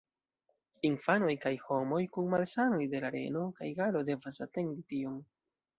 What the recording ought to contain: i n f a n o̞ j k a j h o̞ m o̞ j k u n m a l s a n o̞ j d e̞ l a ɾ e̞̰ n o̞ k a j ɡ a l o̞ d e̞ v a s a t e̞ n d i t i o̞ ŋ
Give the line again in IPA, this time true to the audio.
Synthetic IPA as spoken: i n f a n o̞ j k a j h o̞ m o̞ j k u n m a l s a n o̞ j d e̞ l a ɾ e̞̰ n o̞ k a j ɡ a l o̞ d e̞ v a s a t e̞ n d i t i o̞ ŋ